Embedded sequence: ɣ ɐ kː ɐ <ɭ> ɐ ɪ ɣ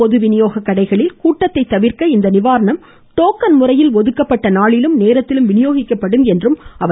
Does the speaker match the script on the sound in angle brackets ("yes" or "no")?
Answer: no